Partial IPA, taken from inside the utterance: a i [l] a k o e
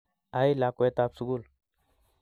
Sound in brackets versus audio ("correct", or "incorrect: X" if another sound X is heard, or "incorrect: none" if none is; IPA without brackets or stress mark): correct